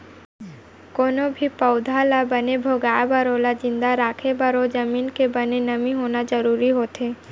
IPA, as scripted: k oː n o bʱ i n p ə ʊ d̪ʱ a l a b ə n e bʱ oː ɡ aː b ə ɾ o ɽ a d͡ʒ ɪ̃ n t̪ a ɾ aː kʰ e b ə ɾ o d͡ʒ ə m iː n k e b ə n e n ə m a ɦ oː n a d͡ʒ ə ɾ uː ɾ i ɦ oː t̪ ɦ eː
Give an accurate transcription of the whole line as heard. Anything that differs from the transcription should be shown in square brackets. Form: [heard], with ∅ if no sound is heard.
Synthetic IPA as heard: k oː n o bʱ i [∅] p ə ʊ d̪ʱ a l a b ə n e bʱ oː ɡ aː b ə ɾ o [l] a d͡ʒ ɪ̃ n [d̪] a ɾ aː kʰ e b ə ɾ o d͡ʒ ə m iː n k e b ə n e n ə m [i] ɦ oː n a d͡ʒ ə ɾ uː ɾ i ɦ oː t̪ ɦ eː